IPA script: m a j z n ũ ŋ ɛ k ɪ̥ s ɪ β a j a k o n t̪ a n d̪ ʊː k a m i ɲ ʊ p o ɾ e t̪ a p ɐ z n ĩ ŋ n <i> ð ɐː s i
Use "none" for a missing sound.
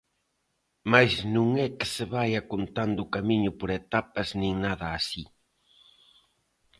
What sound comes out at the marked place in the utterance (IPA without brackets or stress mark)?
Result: a